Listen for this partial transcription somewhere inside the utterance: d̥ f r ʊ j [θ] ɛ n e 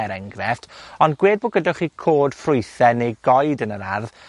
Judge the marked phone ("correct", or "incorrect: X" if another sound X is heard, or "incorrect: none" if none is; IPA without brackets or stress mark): correct